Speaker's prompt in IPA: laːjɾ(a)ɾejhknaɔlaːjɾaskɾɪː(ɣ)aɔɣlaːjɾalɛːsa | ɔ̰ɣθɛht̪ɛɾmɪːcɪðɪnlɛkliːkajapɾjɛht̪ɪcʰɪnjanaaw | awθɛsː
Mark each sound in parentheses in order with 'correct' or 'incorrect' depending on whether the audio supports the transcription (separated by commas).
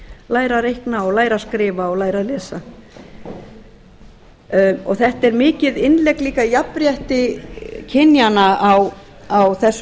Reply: correct, incorrect